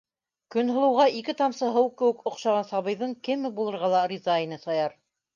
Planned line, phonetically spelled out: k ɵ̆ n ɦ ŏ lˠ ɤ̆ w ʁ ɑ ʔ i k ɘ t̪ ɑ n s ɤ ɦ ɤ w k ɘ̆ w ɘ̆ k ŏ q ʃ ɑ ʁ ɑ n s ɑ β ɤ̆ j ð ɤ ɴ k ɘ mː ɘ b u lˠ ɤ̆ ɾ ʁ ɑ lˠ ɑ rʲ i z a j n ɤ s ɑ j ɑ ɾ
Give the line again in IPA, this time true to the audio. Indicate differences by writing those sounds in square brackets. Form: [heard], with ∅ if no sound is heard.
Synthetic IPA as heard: k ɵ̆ n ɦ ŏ lˠ ɤ̆ w ʁ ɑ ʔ i k ɘ t̪ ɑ [m] s ɤ ɦ ɤ w k ɘ̆ w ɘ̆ k ŏ q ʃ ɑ ʁ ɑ n s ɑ β ɤ̆ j ð ɤ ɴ k ɘ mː ɘ b u lˠ ɤ̆ ɾ ʁ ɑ lˠ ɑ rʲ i z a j n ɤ s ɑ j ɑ ɾ